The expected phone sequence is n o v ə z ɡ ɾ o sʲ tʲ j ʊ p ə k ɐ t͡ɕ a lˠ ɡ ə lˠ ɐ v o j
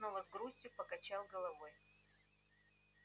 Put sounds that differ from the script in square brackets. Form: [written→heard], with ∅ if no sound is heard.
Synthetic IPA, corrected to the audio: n o v ə z ɡ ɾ [o→u] sʲ tʲ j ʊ p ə k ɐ t͡ɕ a lˠ ɡ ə lˠ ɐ v o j

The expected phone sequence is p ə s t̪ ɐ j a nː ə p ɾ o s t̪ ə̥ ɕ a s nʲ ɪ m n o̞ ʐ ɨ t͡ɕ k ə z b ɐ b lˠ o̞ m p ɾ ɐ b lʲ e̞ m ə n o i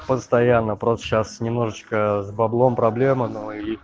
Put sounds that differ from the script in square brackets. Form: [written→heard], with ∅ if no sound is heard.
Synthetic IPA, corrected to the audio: p ə s t̪ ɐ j a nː ə p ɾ o s t̪ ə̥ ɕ a s nʲ ɪ m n o̞ ʐ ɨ t͡ɕ k ə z b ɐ b lˠ o̞ m p ɾ ɐ b lʲ e̞ m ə n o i

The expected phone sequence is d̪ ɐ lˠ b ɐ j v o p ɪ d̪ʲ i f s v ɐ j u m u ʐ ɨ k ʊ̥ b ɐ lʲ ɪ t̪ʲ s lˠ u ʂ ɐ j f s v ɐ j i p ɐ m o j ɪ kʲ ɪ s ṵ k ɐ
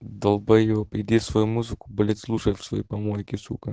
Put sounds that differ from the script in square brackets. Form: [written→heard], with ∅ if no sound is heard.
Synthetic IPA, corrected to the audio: d̪ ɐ lˠ b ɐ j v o p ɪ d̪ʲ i f s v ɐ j u m u [ʐ→z] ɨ k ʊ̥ b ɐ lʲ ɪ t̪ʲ s lˠ u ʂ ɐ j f s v ɐ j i p ɐ m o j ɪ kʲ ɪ s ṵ k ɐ

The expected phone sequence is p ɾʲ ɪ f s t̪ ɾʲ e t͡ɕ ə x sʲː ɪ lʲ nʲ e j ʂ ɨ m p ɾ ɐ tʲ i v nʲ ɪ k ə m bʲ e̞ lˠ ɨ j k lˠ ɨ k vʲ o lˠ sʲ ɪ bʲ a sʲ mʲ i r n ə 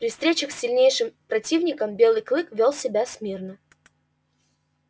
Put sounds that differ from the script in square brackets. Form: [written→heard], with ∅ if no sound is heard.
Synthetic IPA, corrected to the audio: p ɾʲ ɪ f s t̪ ɾʲ e t͡ɕ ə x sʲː ɪ lʲ nʲ e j ʂ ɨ m p ɾ ɐ tʲ i v nʲ ɪ k ə m bʲ e̞ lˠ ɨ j k lˠ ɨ k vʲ o lˠ sʲ ɪ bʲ a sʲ mʲ i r n ə

